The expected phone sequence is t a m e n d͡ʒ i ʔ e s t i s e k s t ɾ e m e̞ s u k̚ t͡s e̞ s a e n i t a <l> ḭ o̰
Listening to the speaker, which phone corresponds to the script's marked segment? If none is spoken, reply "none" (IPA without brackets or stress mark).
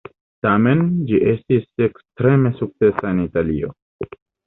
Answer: l